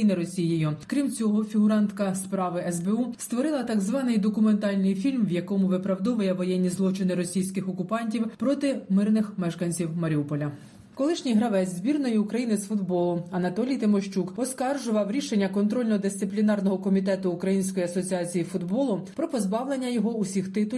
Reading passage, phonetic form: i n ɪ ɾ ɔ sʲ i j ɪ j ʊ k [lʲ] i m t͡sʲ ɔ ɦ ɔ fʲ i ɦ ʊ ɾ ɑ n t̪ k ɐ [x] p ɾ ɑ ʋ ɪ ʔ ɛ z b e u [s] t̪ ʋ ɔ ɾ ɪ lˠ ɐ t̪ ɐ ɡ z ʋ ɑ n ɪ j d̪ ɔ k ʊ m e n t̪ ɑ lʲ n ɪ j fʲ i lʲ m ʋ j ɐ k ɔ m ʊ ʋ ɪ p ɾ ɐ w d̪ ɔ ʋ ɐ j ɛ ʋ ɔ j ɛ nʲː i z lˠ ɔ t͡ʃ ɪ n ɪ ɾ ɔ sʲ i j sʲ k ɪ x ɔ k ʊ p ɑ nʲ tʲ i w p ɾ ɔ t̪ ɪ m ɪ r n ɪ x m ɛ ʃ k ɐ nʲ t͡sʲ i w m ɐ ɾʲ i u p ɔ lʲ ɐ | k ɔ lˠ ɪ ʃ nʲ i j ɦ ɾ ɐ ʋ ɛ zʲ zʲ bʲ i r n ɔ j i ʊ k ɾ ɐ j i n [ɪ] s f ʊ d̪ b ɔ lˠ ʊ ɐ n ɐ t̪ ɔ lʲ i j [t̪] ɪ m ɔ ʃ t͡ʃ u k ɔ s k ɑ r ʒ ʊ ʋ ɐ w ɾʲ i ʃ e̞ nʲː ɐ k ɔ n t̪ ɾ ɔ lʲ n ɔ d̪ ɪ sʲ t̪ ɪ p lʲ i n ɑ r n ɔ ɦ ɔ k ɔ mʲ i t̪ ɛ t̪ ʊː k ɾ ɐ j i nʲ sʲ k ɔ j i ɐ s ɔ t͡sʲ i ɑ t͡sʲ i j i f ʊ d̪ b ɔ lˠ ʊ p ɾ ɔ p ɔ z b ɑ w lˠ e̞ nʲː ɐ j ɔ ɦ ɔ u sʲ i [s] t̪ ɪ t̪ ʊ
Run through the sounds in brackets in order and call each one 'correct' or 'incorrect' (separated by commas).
incorrect, incorrect, correct, correct, correct, incorrect